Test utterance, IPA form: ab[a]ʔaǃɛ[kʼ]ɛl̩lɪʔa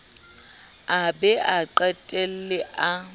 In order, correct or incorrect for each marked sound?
incorrect: ɛ, incorrect: tʼ

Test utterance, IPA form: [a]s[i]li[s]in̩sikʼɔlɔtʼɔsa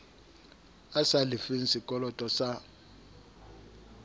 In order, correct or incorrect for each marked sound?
correct, incorrect: a, incorrect: f

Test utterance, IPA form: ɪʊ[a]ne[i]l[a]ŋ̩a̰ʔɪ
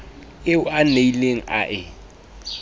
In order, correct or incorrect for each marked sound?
correct, correct, incorrect: e

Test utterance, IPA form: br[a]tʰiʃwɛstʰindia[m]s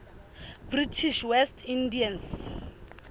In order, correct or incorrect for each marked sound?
incorrect: i, incorrect: n

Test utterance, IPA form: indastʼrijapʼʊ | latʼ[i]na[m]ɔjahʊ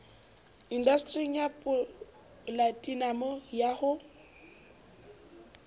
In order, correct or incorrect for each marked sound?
correct, correct

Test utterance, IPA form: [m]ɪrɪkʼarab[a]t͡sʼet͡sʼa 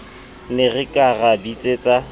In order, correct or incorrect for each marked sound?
incorrect: n, incorrect: i

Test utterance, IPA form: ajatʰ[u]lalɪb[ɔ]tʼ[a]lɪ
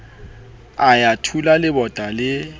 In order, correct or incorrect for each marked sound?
correct, correct, correct

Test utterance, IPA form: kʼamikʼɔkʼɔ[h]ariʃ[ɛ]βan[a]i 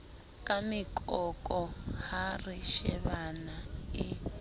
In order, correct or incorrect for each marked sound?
correct, correct, correct

